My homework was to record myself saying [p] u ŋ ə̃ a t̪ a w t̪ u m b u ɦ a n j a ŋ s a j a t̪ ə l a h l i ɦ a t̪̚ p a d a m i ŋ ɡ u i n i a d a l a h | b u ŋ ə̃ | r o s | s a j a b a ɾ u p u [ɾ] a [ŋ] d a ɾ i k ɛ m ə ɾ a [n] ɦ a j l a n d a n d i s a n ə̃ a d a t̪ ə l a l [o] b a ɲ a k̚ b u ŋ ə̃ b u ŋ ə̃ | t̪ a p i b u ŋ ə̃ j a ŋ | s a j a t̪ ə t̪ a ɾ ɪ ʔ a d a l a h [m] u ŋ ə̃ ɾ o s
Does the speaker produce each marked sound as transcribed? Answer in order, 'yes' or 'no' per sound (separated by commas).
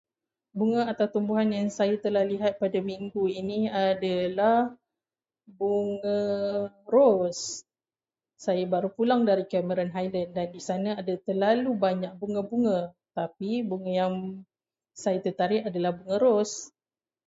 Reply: no, no, yes, yes, no, no